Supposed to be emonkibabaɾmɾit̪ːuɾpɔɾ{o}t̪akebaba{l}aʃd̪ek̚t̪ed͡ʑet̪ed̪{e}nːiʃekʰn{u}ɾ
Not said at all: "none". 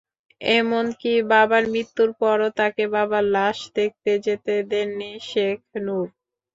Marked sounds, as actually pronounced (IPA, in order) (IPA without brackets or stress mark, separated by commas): o, l, e, u